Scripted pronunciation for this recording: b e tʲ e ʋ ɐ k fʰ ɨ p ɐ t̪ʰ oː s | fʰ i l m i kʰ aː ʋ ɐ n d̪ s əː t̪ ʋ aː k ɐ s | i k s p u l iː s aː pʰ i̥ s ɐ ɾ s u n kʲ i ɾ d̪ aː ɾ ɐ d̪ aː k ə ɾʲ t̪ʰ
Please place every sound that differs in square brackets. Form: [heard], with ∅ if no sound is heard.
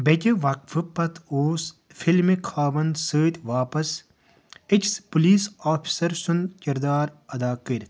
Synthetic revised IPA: b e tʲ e ʋ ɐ k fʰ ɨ p ɐ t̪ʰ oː s | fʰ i l m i kʰ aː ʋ ɐ n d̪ s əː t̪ ʋ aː [p] ɐ s | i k s p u l iː s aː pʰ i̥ s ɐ ɾ s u n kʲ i ɾ d̪ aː ɾ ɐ d̪ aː k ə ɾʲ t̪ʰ